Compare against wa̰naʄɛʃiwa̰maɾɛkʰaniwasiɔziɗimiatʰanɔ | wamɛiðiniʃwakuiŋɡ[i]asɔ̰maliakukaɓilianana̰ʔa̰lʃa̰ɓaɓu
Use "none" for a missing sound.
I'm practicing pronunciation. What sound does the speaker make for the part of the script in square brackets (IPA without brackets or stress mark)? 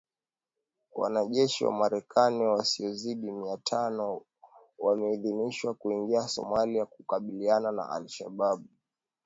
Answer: i